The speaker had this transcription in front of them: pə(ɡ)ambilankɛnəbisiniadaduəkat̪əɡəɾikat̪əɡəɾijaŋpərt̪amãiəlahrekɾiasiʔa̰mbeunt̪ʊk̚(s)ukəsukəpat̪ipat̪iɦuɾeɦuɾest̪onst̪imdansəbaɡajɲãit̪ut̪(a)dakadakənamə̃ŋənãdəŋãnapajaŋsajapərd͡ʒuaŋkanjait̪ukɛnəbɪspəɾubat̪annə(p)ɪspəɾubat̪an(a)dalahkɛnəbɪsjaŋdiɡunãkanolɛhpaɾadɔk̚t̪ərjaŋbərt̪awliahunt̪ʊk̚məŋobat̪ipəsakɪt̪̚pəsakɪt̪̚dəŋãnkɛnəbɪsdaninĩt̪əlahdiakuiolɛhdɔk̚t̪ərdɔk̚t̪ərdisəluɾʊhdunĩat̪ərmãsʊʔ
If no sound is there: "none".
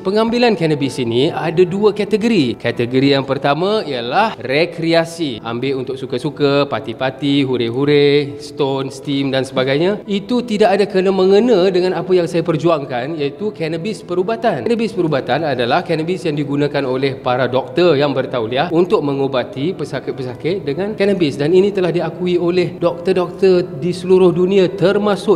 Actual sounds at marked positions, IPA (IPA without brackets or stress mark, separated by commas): ŋ, s, i, b, a